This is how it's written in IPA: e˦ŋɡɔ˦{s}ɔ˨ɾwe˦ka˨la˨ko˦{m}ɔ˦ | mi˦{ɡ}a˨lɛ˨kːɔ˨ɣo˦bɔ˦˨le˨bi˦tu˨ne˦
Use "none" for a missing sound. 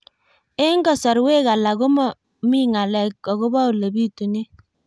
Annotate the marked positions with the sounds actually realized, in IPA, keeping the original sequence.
s, m, ŋ

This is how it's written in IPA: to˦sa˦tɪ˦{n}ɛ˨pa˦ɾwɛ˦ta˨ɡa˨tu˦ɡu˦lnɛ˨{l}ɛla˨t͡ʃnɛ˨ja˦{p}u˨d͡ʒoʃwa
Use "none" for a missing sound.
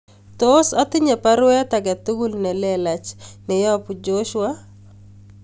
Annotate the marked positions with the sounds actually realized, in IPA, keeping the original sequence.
ɲ, l, p

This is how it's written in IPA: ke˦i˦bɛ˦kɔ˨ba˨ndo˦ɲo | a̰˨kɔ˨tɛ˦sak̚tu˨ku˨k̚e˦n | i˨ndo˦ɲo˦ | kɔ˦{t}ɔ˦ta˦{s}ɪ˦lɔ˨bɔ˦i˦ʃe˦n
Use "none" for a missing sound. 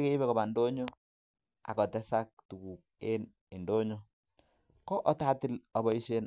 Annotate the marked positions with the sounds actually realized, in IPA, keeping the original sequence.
ʔ, t

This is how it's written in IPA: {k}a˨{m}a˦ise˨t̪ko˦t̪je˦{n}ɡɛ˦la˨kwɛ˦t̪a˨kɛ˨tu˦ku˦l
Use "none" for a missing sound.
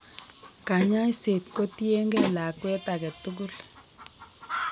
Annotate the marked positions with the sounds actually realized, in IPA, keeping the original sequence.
k, ɲ, ŋ

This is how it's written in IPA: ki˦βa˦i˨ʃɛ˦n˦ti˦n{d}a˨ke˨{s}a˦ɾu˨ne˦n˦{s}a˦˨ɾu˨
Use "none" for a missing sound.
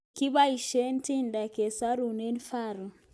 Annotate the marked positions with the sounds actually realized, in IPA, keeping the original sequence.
d, s, f

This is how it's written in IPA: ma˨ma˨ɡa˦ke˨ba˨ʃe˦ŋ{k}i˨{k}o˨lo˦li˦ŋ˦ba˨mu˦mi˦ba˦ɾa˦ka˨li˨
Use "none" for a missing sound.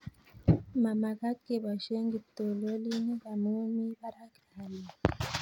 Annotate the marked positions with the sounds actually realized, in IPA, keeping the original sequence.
ɡ, t

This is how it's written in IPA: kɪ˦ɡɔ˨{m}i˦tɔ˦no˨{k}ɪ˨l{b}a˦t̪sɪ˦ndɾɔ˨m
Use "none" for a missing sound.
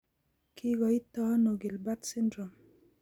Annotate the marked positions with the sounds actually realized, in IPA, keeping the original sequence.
none, ɡ, b

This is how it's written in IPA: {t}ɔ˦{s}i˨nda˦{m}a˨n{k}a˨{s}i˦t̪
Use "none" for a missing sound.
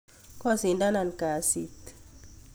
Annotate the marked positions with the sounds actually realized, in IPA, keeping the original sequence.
k, s, n, k, s

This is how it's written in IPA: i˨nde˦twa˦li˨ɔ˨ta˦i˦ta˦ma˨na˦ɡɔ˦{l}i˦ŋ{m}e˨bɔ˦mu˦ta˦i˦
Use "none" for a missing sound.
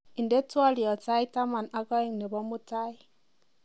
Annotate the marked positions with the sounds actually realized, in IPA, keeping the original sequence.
none, n

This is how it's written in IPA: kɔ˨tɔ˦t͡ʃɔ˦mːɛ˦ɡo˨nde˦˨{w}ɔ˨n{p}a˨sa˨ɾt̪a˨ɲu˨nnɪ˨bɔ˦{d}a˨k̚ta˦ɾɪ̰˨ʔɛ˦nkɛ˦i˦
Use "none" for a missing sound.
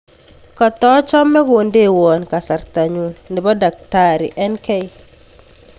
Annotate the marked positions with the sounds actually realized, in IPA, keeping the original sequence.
w, k, d

